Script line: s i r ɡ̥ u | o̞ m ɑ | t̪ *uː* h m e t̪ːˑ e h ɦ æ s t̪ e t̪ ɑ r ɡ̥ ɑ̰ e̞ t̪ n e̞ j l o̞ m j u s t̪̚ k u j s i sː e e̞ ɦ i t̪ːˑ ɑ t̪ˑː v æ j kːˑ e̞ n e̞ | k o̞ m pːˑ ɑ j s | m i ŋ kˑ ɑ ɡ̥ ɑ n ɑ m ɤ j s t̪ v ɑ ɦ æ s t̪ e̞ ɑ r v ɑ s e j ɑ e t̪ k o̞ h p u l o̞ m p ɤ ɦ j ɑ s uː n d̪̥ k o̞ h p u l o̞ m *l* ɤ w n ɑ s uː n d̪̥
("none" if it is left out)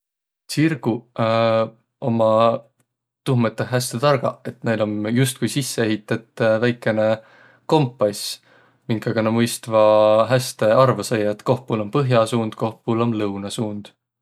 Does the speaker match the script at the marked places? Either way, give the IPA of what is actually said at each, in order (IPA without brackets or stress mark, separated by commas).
u, l